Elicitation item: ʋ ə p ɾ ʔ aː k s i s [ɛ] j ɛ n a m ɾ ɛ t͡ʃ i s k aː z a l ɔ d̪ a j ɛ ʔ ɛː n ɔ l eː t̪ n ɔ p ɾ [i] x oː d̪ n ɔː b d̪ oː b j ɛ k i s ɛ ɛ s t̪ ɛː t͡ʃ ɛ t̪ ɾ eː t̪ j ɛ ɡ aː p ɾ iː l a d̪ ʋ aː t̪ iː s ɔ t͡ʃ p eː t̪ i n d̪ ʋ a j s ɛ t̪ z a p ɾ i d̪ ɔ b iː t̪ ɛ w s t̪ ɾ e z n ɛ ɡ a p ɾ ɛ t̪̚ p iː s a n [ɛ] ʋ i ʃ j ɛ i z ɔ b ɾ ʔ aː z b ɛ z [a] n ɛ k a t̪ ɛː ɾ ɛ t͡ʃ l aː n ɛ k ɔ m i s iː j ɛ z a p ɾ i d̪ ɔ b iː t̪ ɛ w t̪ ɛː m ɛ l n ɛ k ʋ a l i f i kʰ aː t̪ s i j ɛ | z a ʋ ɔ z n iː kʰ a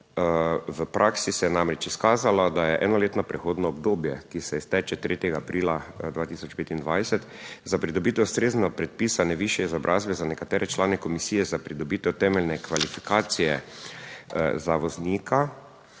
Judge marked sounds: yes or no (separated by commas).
yes, no, yes, yes